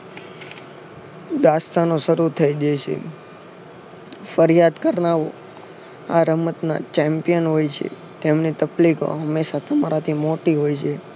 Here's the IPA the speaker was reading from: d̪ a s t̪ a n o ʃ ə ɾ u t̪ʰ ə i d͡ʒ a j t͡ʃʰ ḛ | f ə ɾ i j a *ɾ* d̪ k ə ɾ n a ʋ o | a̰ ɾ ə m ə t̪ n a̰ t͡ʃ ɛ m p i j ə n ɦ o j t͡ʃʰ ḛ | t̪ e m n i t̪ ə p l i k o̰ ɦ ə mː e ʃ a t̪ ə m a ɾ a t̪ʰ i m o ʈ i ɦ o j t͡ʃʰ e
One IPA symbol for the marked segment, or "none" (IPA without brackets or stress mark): none